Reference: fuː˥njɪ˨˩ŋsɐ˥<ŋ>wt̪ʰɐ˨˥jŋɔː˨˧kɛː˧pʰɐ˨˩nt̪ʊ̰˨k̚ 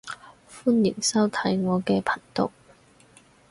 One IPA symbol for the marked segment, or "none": none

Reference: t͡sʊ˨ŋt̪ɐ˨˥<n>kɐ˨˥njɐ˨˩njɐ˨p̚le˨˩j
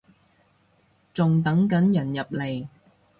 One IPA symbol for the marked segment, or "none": ŋ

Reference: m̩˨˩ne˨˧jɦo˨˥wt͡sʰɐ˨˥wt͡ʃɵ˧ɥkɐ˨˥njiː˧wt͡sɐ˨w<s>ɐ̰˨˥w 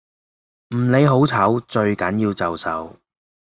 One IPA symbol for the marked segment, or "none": s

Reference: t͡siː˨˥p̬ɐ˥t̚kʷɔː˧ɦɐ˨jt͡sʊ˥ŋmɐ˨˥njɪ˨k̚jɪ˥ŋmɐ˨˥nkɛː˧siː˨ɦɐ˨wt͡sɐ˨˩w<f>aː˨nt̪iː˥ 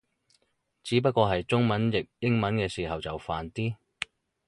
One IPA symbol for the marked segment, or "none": f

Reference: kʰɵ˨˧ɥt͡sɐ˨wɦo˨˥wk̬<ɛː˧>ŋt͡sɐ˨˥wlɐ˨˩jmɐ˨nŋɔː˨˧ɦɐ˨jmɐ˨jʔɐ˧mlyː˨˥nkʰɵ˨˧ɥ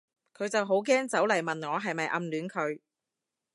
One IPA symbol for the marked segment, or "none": ɛː˥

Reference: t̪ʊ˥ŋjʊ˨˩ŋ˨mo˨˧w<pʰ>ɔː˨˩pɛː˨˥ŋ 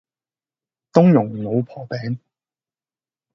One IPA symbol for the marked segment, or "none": pʰ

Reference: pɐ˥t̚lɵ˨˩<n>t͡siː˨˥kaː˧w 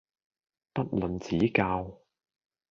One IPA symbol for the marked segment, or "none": n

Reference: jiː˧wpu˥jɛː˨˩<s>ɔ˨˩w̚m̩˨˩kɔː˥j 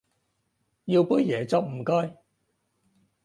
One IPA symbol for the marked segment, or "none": t͡s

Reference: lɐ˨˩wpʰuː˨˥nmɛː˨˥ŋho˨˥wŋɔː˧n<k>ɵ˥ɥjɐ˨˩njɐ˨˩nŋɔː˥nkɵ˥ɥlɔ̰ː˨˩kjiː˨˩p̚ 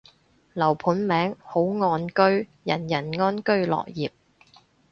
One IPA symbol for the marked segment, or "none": k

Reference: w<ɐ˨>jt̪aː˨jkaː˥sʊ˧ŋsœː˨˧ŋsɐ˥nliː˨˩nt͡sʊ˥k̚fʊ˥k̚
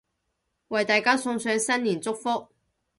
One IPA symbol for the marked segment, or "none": ɐ˨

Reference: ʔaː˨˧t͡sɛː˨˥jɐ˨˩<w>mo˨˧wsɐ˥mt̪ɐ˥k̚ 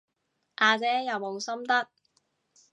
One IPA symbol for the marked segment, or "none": w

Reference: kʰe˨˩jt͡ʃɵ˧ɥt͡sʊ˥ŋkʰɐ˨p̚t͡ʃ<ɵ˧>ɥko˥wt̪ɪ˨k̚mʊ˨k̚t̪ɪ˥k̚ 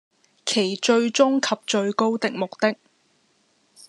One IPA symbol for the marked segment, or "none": ɵ˧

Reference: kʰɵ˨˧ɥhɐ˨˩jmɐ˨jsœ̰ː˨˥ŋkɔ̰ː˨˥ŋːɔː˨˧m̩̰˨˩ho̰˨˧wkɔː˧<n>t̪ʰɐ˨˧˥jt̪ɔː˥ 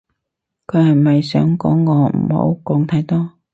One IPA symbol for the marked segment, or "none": ŋ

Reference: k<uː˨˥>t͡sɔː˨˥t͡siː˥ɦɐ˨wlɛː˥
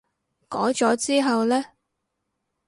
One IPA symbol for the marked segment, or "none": ɔː˨˥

